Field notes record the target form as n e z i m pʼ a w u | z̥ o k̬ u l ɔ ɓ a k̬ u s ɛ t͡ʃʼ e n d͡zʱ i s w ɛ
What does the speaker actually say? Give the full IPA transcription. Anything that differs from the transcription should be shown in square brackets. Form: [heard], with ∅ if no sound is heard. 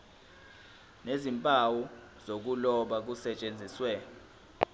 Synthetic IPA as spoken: n e z i m pʼ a w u | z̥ o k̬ u l ɔ ɓ a k̬ u s ɛ t͡ʃʼ e n d͡zʱ i s w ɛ